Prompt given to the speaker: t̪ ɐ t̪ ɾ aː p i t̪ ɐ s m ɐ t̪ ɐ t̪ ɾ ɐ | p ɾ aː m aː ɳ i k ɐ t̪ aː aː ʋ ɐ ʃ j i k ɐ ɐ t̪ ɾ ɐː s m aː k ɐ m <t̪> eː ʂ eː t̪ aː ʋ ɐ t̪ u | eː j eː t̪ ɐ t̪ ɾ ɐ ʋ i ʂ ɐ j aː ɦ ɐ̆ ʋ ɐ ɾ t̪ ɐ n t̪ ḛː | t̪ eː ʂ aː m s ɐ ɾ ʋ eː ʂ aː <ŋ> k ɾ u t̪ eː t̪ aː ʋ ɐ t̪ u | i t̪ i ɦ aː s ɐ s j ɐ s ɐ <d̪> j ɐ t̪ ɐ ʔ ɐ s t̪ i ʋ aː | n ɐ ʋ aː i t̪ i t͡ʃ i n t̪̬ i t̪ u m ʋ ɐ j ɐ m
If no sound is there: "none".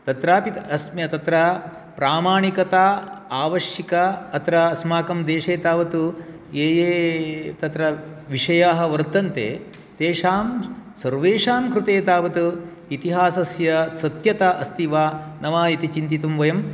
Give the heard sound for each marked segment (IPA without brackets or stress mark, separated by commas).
d̪, m, t̪